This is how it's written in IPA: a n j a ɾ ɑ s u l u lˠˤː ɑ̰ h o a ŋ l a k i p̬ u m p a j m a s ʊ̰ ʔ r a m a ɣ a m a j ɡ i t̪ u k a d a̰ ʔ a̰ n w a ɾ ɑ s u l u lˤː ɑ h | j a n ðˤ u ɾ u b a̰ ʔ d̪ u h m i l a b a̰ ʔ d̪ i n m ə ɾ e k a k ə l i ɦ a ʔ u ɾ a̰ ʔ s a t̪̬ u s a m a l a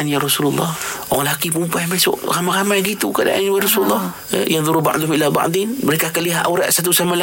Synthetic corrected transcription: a n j a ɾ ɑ s u l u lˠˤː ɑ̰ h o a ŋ l a k i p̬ u m p a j m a s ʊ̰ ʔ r a m a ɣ a m a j ɡ i t̪ u k a d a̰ ʔ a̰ n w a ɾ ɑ s u l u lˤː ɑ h | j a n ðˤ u ɾ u b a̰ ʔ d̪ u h m i l a b a̰ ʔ d̪ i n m ə ɾ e k a k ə l i ɦ a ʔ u ɾ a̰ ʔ s a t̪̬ u s a m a l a